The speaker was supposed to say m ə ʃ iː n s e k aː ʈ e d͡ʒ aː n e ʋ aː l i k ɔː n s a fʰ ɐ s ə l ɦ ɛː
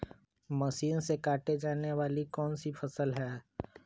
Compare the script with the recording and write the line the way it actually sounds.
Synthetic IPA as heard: m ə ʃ iː n s e k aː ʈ e d͡ʒ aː n e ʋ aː l i k ɔː n s i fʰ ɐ s ə l ɦ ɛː